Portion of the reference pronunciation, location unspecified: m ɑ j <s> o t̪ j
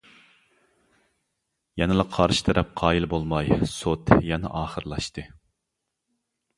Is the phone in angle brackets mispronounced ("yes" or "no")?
no